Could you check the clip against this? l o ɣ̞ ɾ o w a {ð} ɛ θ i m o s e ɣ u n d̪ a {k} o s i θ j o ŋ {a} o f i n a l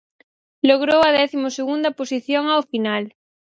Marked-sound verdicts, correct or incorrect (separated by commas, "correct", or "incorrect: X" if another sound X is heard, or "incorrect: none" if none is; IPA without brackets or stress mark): correct, incorrect: p, correct